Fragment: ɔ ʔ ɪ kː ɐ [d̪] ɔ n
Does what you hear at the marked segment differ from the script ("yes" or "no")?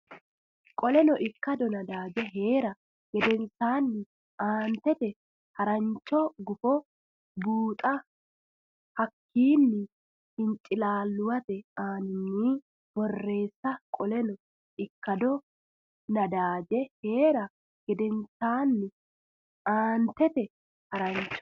no